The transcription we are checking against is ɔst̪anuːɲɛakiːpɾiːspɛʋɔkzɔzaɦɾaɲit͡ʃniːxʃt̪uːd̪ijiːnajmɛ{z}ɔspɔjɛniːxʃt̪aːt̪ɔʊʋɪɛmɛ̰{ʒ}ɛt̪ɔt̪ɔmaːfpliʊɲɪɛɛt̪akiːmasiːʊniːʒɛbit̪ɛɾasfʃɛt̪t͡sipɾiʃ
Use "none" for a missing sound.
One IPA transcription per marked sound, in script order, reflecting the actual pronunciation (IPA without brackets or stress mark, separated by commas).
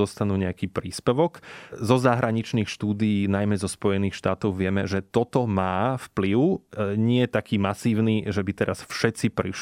z, ʒ